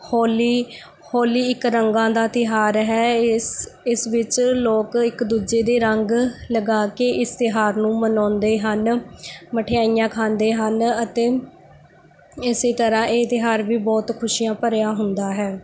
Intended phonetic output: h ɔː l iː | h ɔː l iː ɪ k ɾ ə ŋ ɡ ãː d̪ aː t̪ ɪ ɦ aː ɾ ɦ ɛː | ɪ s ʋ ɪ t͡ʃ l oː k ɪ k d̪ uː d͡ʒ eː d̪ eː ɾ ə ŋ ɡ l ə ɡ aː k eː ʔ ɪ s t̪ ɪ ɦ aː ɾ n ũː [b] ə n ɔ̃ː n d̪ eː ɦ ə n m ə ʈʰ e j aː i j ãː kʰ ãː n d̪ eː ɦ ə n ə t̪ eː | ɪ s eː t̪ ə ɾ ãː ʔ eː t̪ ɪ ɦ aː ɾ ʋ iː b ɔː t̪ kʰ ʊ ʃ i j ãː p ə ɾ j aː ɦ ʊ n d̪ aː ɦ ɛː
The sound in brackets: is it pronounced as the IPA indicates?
no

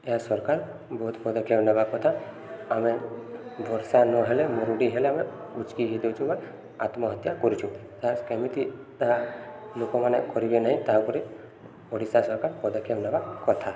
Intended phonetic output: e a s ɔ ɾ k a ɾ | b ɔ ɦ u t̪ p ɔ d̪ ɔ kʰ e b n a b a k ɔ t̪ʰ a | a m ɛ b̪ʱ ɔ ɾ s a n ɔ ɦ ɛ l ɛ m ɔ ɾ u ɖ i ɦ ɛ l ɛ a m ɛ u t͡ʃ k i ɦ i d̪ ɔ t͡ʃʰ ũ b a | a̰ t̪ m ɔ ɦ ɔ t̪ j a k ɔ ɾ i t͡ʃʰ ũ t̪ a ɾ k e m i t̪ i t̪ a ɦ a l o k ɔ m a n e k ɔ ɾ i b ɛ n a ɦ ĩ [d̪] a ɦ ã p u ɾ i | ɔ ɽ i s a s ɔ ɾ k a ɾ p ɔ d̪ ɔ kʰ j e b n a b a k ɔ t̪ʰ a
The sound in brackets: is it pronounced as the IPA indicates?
no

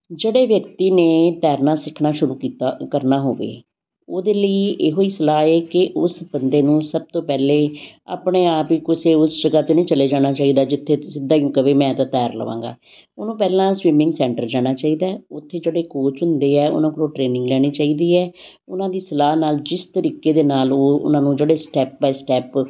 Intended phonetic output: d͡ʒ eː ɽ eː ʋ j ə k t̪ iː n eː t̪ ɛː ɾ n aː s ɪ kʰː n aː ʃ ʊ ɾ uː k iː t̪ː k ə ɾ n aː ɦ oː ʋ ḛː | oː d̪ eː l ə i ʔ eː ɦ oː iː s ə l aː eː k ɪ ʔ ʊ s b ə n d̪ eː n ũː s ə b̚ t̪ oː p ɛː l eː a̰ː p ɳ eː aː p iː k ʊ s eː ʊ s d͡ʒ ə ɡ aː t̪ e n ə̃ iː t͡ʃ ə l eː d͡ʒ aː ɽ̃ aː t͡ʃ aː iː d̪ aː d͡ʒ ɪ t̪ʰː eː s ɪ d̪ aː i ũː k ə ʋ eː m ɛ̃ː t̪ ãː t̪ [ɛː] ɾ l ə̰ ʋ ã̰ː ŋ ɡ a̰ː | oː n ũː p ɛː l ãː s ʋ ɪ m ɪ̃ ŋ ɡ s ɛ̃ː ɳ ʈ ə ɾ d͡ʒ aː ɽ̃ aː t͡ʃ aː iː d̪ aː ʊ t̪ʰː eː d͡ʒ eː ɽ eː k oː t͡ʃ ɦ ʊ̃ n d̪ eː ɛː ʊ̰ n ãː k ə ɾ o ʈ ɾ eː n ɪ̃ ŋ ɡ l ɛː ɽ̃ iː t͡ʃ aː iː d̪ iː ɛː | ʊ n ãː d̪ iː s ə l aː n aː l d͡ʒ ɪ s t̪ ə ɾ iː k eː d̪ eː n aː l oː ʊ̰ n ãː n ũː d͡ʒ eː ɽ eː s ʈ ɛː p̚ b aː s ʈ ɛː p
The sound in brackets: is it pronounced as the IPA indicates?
yes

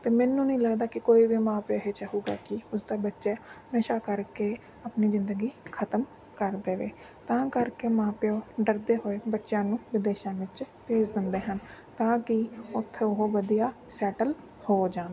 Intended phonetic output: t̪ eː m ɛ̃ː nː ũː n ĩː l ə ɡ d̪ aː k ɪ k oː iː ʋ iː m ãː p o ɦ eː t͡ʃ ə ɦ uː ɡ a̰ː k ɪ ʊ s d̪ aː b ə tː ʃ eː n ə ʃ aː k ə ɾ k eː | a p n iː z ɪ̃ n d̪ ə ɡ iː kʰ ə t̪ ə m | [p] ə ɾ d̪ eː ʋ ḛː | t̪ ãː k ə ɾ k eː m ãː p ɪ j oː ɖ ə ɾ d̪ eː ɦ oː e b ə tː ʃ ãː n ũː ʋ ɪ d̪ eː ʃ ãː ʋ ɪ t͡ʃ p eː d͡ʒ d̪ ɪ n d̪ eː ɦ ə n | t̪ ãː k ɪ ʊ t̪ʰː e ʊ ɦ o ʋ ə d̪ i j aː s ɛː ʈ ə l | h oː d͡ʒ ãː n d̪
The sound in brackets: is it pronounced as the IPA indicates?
no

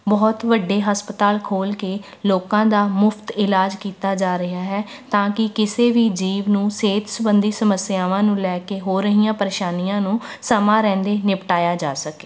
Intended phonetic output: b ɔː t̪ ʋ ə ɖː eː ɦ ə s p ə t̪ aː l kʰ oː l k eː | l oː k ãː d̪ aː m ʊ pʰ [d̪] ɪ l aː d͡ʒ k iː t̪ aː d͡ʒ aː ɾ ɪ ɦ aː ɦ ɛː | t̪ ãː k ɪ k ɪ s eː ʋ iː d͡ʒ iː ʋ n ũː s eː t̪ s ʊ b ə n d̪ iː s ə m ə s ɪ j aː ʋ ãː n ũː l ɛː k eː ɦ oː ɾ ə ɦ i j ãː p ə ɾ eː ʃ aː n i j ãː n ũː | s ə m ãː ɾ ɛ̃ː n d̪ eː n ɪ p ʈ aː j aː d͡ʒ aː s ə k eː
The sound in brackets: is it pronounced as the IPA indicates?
no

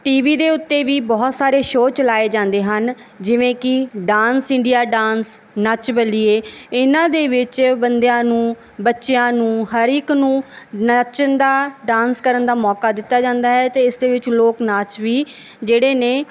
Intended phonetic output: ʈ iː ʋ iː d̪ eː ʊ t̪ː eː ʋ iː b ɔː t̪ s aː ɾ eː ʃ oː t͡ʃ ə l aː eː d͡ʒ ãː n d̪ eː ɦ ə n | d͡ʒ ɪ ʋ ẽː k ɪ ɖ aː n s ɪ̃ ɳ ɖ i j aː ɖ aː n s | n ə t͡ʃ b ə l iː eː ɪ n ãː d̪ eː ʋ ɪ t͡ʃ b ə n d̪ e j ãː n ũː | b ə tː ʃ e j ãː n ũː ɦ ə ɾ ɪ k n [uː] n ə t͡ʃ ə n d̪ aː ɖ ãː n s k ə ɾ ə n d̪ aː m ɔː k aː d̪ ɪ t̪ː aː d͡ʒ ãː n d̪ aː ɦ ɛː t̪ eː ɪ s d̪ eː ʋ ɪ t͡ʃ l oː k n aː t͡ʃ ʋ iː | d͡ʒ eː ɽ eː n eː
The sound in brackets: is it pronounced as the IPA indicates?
no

